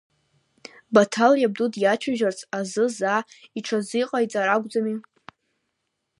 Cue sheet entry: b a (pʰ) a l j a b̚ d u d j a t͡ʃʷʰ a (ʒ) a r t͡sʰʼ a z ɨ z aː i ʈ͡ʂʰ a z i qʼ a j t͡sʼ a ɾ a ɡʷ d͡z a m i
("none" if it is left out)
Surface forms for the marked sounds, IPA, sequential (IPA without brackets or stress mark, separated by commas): tʰ, ʒ